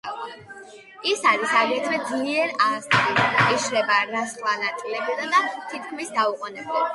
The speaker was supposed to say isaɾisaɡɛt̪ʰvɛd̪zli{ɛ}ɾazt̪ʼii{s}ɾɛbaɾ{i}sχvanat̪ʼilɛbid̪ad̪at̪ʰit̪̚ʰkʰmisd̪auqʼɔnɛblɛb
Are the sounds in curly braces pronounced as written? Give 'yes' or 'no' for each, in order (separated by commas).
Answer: yes, no, no